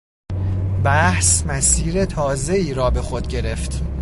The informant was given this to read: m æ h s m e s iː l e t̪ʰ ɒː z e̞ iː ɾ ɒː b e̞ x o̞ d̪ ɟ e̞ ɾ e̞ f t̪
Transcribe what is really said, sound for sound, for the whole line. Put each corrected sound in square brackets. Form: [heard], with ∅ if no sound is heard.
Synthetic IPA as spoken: [b] æ h s m [æ] s iː [ɾ] e t̪ʰ ɒː z e̞ iː ɾ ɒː b e̞ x o̞ d̪ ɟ e̞ ɾ e̞ f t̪